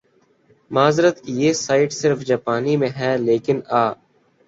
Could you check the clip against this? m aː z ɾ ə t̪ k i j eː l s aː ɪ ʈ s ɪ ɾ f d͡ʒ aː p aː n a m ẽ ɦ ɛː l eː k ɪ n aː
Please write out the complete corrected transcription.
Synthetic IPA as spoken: m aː z ɾ ə t̪ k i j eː s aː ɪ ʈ s ɪ ɾ f d͡ʒ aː p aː n i m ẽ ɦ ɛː l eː k ɪ n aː